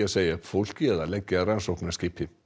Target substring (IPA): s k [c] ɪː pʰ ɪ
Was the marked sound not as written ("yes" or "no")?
no